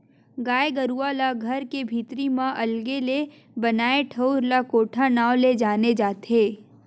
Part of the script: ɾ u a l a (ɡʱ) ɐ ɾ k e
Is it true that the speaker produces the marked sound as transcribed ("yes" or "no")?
yes